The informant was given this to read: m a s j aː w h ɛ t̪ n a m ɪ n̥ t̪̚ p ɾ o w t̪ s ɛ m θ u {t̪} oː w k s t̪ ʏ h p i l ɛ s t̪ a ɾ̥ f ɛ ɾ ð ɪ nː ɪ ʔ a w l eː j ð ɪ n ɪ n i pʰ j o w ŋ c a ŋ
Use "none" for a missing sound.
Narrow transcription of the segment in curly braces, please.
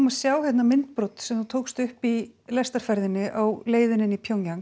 t̪ʰ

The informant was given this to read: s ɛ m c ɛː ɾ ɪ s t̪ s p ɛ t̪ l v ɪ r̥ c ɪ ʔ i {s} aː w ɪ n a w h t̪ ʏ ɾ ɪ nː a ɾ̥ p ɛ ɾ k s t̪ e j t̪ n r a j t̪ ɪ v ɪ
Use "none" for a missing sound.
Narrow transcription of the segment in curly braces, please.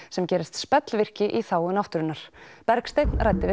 θ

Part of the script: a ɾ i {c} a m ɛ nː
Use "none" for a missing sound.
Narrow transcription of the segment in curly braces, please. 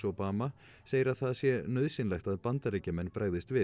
c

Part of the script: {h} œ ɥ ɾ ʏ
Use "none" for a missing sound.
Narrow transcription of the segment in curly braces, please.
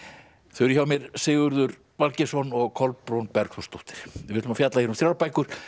θ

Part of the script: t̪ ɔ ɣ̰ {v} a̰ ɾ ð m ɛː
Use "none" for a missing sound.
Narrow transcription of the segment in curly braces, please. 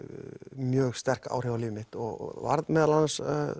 v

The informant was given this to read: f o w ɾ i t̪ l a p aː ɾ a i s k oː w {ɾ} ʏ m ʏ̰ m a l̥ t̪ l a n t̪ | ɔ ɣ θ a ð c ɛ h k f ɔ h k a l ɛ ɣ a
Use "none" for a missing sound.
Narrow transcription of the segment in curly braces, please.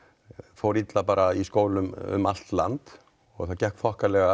l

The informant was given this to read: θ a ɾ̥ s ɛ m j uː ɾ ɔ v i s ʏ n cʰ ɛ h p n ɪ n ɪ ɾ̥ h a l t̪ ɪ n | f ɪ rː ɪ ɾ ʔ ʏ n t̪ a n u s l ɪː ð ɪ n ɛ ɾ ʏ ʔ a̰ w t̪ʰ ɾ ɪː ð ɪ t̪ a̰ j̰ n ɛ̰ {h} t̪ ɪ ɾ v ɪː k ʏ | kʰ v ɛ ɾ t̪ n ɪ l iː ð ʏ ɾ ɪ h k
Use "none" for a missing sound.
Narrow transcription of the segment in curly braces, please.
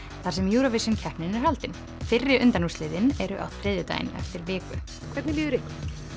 f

